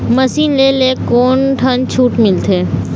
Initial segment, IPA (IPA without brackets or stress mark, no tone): m